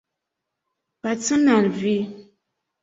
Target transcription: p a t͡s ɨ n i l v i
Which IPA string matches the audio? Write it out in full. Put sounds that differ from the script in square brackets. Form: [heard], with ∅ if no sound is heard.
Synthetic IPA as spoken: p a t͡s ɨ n [a] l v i